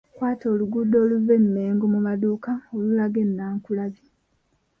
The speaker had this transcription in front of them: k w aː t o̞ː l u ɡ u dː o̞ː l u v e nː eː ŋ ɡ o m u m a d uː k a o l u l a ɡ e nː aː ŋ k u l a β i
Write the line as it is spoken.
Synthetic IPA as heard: k w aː t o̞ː l u ɡ u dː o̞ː l u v e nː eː ŋ ɡ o m u m a d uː k a o l u l a ɡ e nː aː ŋ k u l a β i